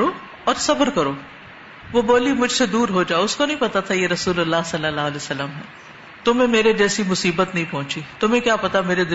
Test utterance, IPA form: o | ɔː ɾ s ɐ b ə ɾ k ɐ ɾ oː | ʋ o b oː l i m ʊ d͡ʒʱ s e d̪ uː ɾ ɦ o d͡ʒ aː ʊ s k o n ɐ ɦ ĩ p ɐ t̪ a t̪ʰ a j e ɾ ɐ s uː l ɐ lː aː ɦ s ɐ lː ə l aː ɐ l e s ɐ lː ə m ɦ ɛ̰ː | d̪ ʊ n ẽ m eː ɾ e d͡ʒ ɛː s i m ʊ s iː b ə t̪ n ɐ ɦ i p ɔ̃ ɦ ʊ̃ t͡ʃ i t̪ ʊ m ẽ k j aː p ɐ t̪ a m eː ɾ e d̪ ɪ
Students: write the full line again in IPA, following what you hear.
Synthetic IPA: o | ɔː ɾ s ɐ b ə ɾ k ɐ ɾ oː | ʋ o b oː l i m ʊ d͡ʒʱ s e d̪ uː ɾ ɦ o d͡ʒ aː ʊ s k o n ɐ ɦ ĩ p ɐ t̪ a t̪ʰ a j e ɾ ɐ s uː l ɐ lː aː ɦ s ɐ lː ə l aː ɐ l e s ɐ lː ə m ɦ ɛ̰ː | t̪ ʊ m ẽ m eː ɾ e d͡ʒ ɛː s i m ʊ s iː b ə t̪ n ɐ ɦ ĩ p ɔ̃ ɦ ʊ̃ t͡ʃ i t̪ ʊ m ẽ k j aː p ɐ t̪ a m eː ɾ e d̪ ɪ